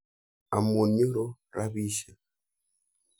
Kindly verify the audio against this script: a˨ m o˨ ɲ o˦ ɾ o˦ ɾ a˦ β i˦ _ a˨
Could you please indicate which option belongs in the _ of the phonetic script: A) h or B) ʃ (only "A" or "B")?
B